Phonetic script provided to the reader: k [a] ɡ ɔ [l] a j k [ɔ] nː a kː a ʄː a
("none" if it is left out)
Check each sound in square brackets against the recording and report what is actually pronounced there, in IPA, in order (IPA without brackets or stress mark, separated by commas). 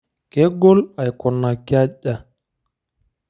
ɛ, l, ɔ